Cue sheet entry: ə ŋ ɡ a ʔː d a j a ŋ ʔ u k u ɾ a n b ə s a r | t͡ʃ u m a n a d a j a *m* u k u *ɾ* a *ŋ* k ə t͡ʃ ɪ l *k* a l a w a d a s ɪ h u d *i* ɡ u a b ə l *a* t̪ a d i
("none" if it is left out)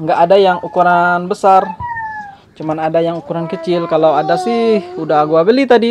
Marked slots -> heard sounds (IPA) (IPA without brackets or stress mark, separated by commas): ŋ, ɾ, n, k, a, i